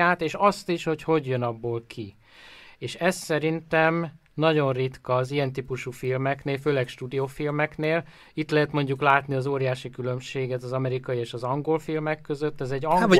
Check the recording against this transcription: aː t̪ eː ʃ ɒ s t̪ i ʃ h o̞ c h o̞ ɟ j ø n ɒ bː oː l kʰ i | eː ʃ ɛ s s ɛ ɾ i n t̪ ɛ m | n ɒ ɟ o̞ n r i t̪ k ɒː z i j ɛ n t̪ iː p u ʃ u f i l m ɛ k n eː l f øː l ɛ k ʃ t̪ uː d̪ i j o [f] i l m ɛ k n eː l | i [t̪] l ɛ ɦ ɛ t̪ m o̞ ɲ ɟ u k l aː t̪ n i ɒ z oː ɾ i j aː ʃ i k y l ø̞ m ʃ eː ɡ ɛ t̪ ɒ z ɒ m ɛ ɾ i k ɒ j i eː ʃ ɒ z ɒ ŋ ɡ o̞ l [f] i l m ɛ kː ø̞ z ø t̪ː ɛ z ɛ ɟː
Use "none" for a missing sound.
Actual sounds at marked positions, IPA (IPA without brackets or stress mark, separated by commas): f, t̪, f